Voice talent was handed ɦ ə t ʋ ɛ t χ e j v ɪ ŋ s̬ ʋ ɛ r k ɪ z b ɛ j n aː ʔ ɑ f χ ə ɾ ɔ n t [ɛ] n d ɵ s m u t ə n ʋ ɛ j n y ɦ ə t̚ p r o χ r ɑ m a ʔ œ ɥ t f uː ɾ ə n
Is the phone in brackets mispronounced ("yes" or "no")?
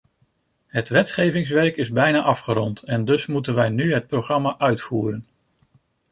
no